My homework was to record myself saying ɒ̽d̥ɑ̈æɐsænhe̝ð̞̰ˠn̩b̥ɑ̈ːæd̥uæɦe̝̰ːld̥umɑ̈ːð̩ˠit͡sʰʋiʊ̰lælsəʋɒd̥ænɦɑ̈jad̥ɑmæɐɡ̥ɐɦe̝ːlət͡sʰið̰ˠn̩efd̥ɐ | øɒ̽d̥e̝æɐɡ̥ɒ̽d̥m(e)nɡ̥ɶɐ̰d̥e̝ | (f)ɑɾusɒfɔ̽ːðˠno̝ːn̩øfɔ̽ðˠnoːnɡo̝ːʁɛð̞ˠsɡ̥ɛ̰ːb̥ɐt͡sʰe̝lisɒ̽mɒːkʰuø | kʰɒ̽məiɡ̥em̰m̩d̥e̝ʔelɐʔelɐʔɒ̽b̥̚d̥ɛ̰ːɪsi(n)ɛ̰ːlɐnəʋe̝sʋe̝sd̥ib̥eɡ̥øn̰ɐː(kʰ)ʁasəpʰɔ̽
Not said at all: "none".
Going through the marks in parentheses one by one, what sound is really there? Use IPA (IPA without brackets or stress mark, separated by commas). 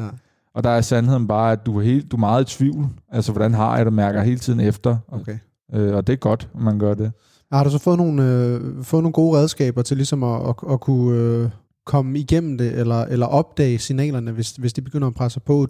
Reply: æ, h, n, pʰ